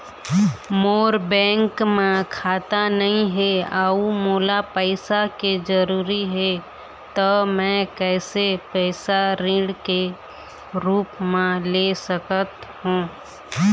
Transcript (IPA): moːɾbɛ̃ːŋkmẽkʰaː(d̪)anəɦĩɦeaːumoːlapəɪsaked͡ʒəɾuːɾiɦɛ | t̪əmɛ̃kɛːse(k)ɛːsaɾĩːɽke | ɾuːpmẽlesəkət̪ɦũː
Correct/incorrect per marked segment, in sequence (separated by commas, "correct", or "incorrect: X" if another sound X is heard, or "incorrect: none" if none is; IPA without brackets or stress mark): incorrect: t̪, incorrect: p